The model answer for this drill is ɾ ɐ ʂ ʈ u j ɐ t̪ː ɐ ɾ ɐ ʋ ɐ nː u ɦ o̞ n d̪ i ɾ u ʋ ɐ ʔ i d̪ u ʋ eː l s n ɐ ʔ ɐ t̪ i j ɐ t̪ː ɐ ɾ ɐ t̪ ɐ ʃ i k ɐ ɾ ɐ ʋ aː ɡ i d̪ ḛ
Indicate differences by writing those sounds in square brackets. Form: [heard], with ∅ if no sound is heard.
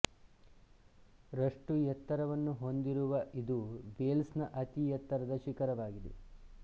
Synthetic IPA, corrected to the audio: ɾ ɐ ʂ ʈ u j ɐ t̪ː ɐ ɾ ɐ ʋ ɐ nː u ɦ o̞ n d̪ i ɾ u ʋ ɐ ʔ i d̪ u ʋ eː l s n ɐ ʔ ɐ t̪ i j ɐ t̪ː ɐ ɾ ɐ [d̪] ɐ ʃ i k ɐ ɾ ɐ ʋ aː ɡ i d̪ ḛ